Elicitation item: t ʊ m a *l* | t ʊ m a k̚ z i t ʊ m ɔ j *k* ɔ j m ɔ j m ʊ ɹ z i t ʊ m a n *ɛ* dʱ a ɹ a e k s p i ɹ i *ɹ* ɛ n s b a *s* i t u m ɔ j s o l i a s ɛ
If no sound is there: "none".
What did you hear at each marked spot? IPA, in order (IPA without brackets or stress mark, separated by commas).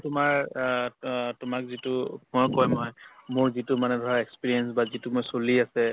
ɹ, k, ɛ, none, z